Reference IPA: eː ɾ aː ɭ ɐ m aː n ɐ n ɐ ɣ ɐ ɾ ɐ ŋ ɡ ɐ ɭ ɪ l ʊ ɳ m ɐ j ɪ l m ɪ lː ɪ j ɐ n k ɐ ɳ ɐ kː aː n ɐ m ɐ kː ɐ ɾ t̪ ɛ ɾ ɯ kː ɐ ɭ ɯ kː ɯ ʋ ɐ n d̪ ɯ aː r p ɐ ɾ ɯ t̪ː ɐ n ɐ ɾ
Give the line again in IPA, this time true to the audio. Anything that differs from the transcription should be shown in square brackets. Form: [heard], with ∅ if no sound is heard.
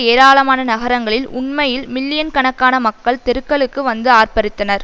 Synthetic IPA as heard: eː ɾ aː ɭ ɐ m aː n ɐ n ɐ ɣ ɐ ɾ ɐ ŋ ɡ ɐ ɭ ɪ l ʊ ɳ m ɐ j ɪ l m ɪ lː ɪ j ɐ n k ɐ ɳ ɐ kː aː n ɐ m ɐ kː ɐ [ɭ] t̪ ɛ ɾ ɯ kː ɐ ɭ ɯ kː ɯ ʋ ɐ n d̪ ɯ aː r p ɐ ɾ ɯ t̪ː ɐ n ɐ ɾ